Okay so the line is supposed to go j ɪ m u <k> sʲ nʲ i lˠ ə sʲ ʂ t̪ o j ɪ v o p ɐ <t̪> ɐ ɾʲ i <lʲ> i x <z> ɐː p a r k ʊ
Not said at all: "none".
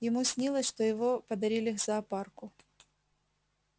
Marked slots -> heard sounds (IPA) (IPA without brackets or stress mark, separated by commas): none, d̪, lʲ, z